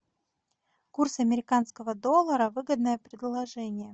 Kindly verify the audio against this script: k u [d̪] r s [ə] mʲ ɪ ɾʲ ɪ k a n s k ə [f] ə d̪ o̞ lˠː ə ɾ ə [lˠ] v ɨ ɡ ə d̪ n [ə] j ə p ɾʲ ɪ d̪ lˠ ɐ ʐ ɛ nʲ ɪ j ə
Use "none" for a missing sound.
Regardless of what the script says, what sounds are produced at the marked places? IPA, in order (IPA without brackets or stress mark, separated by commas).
none, ɐ, v, none, ə